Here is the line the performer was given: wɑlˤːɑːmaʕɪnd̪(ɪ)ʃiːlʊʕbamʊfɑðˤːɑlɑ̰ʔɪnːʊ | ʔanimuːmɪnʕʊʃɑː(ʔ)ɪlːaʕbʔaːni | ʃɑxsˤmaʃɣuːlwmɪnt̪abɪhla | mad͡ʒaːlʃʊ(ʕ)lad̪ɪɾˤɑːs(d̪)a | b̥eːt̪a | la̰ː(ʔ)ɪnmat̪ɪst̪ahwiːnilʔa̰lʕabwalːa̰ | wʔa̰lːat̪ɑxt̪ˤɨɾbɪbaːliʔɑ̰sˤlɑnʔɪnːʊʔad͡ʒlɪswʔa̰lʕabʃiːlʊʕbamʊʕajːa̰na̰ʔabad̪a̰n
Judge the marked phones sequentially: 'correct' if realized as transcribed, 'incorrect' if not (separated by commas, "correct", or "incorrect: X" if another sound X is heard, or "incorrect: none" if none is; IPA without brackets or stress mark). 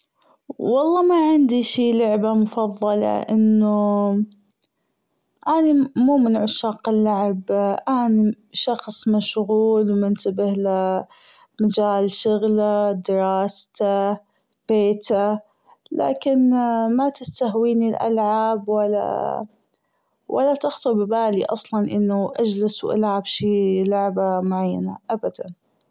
incorrect: i, incorrect: q, incorrect: ɣ, incorrect: t̪, incorrect: k